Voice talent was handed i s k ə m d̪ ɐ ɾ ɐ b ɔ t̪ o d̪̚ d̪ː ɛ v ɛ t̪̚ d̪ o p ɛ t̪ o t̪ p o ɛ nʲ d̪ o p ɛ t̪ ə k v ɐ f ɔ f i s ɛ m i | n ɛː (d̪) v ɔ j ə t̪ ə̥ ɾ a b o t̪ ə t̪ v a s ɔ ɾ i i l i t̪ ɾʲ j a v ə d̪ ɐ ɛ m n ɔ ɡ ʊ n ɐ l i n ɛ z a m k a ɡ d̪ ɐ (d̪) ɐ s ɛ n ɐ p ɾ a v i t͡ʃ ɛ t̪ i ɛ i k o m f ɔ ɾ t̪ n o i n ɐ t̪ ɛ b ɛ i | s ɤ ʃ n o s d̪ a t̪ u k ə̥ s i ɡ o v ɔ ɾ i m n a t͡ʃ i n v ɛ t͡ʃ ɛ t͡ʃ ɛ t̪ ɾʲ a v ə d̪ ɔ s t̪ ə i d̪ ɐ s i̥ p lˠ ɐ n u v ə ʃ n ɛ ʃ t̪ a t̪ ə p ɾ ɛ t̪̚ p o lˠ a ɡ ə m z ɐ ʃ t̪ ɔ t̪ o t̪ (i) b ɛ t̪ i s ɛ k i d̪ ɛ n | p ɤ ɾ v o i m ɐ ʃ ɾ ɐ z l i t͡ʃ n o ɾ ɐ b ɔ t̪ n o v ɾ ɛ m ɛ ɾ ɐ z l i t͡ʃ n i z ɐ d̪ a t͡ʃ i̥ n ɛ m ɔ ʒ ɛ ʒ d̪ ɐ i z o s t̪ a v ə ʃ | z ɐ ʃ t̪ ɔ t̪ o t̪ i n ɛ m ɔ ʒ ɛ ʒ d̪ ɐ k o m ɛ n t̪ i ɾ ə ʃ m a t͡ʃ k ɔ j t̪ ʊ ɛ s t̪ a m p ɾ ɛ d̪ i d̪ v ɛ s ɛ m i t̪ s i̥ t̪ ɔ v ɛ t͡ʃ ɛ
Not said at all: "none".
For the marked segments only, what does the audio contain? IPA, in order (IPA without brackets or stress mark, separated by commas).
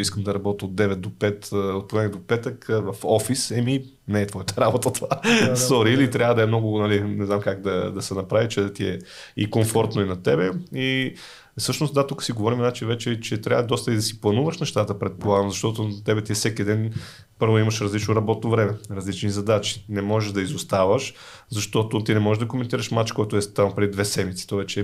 t̪, d̪, ɛ